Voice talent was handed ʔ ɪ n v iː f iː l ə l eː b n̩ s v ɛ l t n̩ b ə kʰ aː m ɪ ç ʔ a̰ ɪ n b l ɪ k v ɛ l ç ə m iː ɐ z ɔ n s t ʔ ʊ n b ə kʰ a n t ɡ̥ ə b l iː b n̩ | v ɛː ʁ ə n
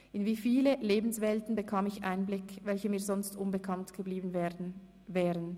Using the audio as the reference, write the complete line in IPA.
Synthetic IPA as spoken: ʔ ɪ n v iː f iː l ə l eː b n̩ s v ɛ l t n̩ b ə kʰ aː m ɪ ç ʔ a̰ ɪ n b l ɪ k v ɛ l ç ə m iː ɐ z ɔ n s t ʔ ʊ n b ə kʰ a n t ɡ̥ ə b l iː b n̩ | v ɛː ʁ ə n